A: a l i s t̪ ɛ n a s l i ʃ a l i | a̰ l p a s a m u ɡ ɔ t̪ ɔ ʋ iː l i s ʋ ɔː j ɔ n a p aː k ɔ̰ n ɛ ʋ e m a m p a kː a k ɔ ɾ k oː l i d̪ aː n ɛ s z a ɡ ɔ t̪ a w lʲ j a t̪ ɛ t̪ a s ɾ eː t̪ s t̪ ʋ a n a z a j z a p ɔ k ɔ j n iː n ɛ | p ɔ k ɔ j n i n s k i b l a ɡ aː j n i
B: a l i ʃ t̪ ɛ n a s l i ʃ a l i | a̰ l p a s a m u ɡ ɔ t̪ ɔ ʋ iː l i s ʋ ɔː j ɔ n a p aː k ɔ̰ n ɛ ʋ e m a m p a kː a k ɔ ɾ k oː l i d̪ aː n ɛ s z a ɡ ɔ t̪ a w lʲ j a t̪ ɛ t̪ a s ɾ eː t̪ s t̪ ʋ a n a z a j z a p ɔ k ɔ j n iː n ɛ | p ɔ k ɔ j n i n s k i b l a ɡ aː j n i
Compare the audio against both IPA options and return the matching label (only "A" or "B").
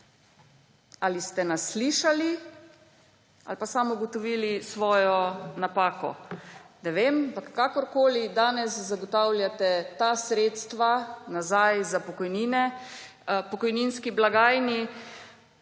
A